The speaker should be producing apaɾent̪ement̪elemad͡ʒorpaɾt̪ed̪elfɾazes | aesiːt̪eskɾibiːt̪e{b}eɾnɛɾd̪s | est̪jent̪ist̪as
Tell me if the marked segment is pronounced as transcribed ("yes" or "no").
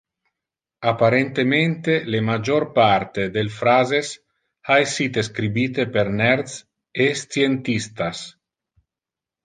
no